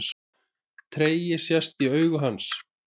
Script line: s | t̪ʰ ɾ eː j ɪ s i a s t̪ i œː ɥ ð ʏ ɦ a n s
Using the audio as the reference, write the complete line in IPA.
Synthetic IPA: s | t̪ʰ ɾ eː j ɪ s j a s t̪ i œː ɥ ɣ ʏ ɦ a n s